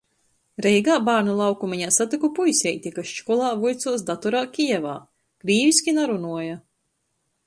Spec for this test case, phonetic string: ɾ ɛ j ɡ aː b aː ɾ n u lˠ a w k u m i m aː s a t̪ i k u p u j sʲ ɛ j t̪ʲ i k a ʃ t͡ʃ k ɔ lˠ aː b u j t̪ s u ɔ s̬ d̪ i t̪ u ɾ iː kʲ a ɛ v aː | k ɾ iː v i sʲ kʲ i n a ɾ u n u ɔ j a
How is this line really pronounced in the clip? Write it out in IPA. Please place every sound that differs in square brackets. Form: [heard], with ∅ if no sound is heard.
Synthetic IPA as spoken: ɾ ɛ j ɡ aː b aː ɾ n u lˠ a w k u m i [ɲ] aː s a t̪ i k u p u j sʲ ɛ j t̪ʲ i k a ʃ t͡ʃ k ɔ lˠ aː [v] u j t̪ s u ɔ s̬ d̪ [a] t̪ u ɾ [aː] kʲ [i] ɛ v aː | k ɾ iː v i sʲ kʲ i n a ɾ u n u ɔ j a